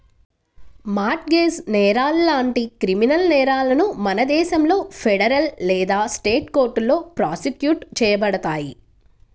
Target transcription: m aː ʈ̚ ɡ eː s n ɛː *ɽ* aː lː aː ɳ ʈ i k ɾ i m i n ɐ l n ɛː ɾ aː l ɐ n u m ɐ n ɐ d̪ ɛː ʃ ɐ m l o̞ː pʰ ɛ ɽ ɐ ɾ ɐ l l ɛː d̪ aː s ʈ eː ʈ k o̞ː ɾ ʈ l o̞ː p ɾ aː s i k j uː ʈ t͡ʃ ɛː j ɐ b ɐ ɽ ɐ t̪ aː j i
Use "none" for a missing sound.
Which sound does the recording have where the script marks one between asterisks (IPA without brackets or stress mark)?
ɾ